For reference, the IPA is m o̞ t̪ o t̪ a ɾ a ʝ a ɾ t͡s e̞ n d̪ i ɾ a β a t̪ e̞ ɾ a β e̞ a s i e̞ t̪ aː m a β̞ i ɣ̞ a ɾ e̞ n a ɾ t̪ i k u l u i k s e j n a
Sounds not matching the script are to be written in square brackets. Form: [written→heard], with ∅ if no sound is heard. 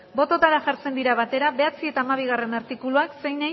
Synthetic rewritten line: [m→b] o̞ t̪ o t̪ a ɾ a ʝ a ɾ t͡s e̞ n d̪ i ɾ a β a t̪ e̞ ɾ a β e̞ a [s→t͡s] i e̞ t̪ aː m a β̞ i ɣ̞ a [ɾ→r] e̞ n a ɾ t̪ i k u l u [i→a] k s e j n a